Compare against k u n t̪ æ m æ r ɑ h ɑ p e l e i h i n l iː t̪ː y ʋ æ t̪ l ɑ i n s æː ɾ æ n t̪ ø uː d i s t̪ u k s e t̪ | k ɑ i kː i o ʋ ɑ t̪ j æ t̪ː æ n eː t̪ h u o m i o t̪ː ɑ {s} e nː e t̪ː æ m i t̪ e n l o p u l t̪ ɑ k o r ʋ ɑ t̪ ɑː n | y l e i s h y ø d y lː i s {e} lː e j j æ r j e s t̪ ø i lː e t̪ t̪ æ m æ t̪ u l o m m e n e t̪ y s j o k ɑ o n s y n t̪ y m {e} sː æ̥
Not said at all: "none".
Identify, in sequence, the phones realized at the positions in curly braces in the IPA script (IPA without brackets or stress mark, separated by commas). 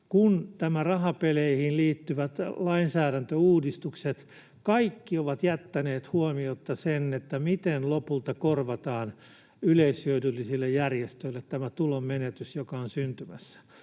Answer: s, i, æ